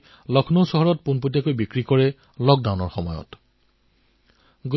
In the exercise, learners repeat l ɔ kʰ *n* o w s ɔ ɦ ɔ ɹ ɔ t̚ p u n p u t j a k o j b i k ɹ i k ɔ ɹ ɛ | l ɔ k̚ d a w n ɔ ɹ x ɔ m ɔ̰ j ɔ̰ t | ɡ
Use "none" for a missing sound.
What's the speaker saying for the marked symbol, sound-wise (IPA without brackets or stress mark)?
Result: n